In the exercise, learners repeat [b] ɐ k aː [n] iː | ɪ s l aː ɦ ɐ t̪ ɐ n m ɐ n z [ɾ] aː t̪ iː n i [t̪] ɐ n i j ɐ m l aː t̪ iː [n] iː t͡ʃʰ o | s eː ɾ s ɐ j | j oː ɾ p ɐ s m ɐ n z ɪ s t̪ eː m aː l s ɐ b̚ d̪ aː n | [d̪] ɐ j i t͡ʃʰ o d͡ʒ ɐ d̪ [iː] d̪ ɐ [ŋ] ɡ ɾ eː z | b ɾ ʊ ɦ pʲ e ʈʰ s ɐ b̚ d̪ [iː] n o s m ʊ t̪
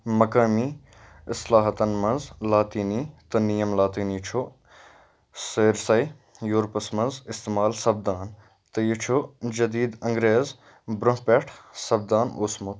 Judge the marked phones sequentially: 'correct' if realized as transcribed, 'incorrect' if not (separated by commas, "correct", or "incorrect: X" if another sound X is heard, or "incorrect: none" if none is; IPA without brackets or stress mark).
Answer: incorrect: m, incorrect: m, incorrect: l, correct, correct, incorrect: t̪, correct, correct, incorrect: aː